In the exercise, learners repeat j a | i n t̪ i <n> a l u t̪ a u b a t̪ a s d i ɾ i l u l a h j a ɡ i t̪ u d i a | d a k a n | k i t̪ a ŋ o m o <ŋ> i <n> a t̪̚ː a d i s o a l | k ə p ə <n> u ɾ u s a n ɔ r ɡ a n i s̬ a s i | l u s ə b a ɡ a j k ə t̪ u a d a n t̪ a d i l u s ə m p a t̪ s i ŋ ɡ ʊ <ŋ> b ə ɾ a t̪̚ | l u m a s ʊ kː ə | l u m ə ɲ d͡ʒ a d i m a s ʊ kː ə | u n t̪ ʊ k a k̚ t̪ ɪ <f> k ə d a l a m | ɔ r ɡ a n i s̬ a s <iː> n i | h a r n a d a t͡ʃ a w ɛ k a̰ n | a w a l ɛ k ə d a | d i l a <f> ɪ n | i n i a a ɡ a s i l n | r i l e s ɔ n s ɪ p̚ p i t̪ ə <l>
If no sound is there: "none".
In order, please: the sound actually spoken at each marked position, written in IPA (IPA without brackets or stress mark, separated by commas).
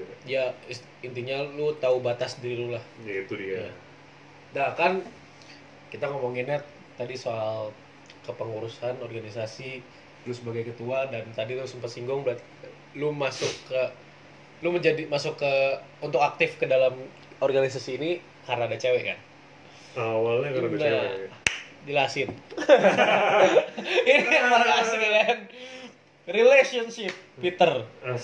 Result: ɲ, ŋ, n, ŋ, ŋ, f, iː, s, r